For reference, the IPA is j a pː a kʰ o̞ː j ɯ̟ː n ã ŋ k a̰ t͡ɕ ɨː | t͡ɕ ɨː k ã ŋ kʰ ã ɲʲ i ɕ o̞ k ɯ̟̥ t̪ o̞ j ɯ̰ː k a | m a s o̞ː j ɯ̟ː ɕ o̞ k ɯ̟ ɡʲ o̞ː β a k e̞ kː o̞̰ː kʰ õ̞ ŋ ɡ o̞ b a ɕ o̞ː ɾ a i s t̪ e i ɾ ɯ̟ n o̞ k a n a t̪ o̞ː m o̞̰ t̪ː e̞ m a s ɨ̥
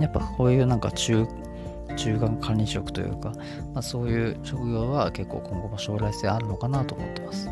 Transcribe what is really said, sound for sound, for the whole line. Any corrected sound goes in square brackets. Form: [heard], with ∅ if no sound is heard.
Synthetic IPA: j a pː a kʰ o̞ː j ɯ̟ː n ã ŋ k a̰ t͡ɕ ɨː | t͡ɕ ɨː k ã ŋ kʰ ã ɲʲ i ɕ o̞ k ɯ̟̥ t̪ o̞ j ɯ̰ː k a | m a s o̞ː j ɯ̟ː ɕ o̞ k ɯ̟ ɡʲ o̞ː β a k e̞ kː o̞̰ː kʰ õ̞ ŋ ɡ o̞ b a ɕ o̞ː ɾ a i s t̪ e [a] ɾ ɯ̟ n o̞ k a n a t̪ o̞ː m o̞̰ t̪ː e̞ m a s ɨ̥